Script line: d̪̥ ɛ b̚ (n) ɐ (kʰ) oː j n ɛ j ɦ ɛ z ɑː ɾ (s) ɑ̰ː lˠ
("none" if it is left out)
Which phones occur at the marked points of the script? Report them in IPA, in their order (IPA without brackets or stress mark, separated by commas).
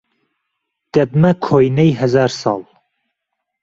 m, kʰ, s